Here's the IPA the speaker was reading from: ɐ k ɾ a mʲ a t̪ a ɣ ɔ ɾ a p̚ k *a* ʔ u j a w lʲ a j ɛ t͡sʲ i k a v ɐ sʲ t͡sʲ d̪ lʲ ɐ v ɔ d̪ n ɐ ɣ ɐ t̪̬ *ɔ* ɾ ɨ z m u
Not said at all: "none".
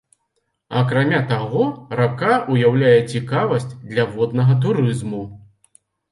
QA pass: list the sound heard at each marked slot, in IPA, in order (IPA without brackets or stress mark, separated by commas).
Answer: a, u